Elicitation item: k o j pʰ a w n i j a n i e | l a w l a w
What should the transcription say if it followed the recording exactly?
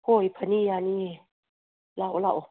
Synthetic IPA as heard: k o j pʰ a n i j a n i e | l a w l a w

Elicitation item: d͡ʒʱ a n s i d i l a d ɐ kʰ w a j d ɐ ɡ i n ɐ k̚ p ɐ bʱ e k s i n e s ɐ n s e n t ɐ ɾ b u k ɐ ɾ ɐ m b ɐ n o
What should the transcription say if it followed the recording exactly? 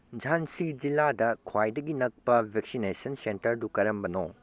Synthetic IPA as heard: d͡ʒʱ a n s i d͡ʒ i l a d ɐ kʰ w a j d ɐ ɡ i n ɐ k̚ p ɐ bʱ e k s i n e s ɐ n s e n t ɐ ɾ d u k ɐ ɾ ɐ m b ɐ n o

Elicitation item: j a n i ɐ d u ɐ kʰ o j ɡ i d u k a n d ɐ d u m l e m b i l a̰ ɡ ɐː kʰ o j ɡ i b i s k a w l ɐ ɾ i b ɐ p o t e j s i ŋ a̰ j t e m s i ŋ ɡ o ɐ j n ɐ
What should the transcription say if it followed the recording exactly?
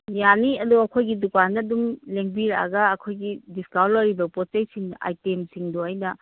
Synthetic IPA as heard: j a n i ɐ d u ɐ kʰ o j ɡ i d u k a n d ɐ d u m l e ŋ b i ɾ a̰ ɡ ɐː kʰ o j ɡ i d i s k a w l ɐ ɾ i b ɐ p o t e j s i ŋ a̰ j t e m s i ŋ d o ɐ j n ɐ

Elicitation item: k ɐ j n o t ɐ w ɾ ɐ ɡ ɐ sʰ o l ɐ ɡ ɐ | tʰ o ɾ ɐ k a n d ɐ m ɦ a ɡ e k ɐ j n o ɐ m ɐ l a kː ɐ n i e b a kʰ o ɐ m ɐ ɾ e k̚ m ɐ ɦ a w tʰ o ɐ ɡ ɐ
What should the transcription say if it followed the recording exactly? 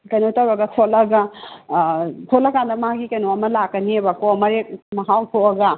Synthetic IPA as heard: k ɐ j n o t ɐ w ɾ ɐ ɡ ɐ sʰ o l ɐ ɡ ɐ | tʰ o l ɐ k a n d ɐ m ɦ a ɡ i k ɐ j n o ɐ m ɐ l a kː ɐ n i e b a k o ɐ m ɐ ɾ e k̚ m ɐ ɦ a w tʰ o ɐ ɡ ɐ

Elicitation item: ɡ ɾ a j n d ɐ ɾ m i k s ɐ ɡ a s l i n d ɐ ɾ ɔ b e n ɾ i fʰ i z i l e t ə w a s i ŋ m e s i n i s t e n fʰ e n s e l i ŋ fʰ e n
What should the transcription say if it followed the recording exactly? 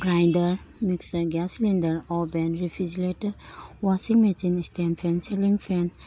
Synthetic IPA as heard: ɡ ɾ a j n d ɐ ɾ m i k s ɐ ɡ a s l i n d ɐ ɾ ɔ b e n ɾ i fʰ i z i l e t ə w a s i ŋ m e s i n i s t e n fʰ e n s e l i ŋ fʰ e n

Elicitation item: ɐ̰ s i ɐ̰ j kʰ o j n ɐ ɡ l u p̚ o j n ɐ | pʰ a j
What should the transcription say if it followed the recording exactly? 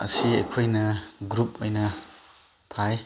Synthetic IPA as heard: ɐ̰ s i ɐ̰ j kʰ o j n ɐ ɡ ɾ u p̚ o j n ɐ | pʰ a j

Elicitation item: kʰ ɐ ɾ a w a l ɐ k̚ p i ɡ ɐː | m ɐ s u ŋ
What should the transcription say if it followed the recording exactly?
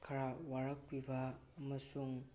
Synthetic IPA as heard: kʰ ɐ ɾ a w a ɾ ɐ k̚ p i b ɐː | m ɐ s u ŋ

